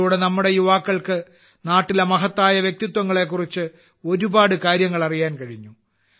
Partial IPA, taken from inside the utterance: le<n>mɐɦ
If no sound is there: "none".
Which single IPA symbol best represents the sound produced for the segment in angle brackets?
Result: none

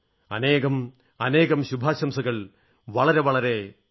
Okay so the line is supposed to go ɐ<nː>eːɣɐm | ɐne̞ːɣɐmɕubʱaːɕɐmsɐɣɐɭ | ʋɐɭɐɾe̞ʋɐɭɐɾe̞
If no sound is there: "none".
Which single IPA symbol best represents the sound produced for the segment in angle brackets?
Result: n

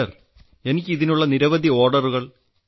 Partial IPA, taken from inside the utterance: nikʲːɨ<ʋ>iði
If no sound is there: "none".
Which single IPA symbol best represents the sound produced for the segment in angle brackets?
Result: none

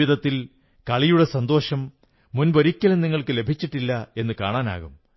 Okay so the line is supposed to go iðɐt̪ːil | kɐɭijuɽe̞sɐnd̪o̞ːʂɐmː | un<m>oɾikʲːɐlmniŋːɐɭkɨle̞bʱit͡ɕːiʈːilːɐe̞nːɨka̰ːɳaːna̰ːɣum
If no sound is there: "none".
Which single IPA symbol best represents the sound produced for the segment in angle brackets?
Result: b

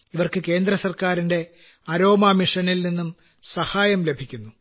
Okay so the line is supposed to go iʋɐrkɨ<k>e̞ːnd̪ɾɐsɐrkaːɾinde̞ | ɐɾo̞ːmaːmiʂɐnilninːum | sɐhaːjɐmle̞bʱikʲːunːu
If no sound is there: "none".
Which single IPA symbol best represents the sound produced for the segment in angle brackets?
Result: k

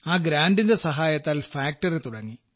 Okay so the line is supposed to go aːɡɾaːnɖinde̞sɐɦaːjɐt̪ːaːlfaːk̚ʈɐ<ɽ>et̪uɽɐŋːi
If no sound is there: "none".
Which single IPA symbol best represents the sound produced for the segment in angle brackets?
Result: r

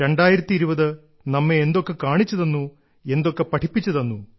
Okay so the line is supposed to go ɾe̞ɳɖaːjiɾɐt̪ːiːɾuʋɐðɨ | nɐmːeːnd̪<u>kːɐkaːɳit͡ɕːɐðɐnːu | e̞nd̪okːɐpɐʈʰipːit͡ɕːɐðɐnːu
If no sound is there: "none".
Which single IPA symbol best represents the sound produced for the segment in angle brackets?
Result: o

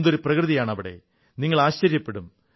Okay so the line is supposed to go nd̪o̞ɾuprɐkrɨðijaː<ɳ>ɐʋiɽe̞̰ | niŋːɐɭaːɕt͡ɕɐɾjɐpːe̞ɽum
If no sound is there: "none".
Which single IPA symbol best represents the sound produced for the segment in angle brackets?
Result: ɳ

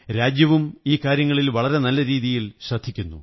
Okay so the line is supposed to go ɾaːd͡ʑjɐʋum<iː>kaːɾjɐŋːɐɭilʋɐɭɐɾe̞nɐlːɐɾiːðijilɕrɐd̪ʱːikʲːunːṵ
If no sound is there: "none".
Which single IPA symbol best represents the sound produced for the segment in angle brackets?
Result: iː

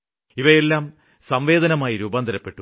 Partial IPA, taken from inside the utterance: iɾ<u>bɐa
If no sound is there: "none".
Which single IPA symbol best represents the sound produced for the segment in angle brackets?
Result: uː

